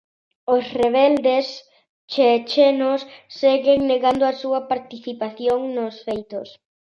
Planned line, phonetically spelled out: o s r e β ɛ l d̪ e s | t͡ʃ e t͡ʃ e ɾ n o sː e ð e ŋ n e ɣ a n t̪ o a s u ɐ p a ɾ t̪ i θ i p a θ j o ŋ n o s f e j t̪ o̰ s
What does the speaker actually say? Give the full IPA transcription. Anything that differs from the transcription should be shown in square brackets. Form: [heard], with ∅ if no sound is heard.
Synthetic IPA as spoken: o s r e β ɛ l d̪ e s | t͡ʃ e t͡ʃ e [∅] n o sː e [ɣ] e ŋ n e ɣ a n [d̪] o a s u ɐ p a ɾ t̪ i θ i p a θ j o ŋ n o s f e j t̪ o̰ s